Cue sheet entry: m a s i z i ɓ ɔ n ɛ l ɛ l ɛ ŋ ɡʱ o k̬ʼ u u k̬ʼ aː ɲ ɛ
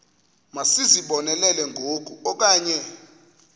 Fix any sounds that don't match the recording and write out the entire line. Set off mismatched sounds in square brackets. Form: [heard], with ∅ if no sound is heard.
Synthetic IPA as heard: m a s i z i ɓ ɔ n ɛ l ɛ l ɛ ŋ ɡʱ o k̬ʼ u [ɔ] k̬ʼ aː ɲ ɛ